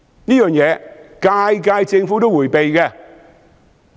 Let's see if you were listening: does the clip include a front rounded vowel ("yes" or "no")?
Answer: yes